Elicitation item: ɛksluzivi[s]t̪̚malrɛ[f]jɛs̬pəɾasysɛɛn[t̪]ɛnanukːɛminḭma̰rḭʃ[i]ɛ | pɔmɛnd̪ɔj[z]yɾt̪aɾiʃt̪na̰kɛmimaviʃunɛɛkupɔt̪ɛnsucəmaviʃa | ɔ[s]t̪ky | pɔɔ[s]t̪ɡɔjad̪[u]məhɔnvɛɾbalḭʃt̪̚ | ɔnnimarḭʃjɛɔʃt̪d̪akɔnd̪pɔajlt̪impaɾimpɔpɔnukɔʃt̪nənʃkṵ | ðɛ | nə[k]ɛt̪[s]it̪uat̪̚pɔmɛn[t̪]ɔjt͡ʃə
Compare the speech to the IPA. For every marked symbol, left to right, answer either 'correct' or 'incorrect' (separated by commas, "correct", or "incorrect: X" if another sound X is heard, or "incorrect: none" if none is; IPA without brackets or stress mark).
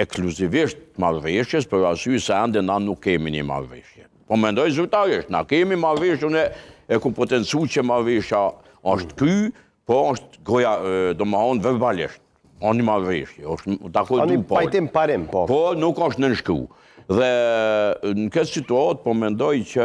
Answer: incorrect: ʃ, incorrect: ʃ, incorrect: d̪, incorrect: j, correct, incorrect: ʃ, incorrect: ʃ, incorrect: ɔ, correct, correct, incorrect: d̪